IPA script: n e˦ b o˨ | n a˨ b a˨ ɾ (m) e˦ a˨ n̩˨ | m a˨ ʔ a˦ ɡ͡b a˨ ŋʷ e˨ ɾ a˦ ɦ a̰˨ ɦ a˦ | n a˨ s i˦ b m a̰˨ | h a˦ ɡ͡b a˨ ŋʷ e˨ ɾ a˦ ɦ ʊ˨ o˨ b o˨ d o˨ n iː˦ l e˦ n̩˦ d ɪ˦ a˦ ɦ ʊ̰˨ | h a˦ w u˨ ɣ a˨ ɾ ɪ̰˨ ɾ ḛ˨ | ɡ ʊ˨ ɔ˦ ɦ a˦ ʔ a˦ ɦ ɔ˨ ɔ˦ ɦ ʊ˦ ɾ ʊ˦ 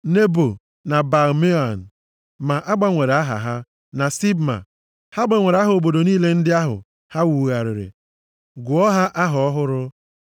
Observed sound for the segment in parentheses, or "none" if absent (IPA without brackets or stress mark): m